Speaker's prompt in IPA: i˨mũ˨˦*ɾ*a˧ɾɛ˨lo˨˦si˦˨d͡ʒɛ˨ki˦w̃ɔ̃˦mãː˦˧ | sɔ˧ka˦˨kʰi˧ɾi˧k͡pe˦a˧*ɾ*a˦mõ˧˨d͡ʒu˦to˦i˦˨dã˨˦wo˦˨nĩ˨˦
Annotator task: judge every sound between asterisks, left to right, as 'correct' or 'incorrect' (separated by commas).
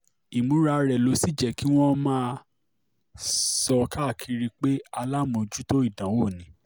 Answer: correct, incorrect